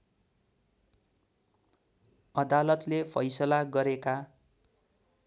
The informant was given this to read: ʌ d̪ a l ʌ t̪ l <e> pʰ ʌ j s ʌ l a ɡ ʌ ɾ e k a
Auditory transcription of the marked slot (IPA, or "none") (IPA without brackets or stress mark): e